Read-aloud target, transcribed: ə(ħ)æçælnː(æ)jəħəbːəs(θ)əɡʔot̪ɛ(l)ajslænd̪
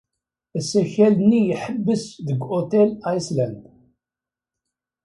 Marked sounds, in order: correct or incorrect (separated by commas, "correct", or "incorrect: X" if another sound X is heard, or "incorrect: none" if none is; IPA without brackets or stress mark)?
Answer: incorrect: s, incorrect: i, incorrect: ð, correct